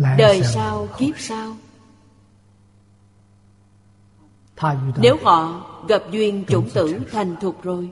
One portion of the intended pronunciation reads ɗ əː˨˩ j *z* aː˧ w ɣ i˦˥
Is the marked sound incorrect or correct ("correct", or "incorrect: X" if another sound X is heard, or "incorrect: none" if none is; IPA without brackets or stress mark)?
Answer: incorrect: s